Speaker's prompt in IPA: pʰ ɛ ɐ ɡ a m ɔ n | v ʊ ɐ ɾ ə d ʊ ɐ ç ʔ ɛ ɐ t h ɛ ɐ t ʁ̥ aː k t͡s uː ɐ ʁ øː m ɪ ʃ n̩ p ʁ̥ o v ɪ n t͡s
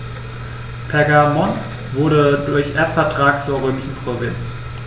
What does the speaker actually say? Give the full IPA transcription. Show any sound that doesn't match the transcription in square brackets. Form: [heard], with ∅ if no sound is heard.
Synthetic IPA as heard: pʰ ɛ ɐ ɡ a m ɔ n | v ʊ ɐ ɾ ə d ʊ ɐ ç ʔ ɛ ɐ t [f] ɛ ɐ t ʁ̥ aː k t͡s uː ɐ ʁ øː m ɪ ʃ n̩ p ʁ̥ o v ɪ n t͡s